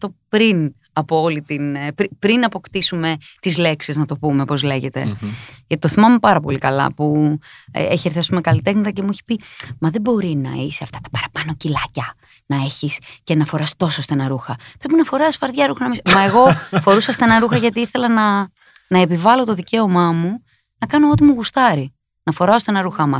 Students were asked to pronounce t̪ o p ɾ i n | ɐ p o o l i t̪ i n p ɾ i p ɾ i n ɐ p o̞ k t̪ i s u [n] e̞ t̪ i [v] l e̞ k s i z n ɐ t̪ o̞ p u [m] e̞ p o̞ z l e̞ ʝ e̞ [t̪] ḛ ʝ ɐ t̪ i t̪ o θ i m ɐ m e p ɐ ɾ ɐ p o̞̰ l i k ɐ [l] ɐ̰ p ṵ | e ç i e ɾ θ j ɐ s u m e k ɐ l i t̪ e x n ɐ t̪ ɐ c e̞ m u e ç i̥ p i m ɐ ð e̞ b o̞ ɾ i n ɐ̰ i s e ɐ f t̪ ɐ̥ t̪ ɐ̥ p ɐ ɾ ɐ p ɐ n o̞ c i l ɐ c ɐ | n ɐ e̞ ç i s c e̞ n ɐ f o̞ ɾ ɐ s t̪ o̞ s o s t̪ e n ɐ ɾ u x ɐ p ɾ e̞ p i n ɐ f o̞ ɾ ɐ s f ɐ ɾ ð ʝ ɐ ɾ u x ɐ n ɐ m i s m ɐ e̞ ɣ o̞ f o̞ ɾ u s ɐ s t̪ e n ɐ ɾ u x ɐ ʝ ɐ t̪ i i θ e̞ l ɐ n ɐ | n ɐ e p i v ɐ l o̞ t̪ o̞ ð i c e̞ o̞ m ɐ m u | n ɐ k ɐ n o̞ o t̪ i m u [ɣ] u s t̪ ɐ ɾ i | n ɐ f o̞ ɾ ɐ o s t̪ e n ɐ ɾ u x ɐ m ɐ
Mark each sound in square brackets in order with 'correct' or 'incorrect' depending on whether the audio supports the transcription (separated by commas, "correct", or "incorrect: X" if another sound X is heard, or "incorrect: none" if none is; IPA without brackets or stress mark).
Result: incorrect: m, incorrect: z, correct, correct, correct, correct